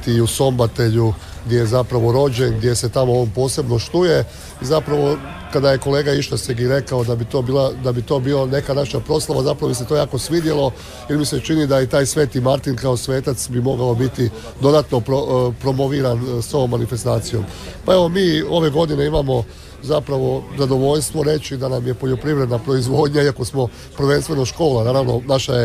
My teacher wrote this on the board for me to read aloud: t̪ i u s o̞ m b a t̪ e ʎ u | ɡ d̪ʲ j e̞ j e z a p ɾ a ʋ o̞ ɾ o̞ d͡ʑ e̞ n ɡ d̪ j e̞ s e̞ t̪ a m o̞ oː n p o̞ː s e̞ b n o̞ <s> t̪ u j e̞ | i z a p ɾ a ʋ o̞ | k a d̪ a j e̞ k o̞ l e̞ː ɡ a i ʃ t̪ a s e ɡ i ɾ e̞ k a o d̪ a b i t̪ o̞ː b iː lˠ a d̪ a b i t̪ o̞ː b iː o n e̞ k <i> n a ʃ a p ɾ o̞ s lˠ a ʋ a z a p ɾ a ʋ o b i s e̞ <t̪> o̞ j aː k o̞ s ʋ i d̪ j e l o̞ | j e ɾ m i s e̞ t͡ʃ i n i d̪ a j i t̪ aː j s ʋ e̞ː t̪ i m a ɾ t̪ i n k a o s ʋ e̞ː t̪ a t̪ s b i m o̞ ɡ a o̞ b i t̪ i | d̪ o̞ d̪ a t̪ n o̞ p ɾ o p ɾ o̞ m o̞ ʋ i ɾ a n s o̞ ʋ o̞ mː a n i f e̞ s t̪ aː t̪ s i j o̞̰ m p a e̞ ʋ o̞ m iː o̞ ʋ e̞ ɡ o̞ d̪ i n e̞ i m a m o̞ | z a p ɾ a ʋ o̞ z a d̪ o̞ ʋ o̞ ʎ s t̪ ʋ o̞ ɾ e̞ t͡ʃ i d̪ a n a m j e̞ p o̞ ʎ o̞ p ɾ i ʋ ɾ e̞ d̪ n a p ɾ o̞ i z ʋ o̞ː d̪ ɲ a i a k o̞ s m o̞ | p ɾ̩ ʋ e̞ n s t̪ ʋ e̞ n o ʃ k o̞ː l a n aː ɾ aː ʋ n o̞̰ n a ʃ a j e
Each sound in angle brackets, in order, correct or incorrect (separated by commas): incorrect, incorrect, correct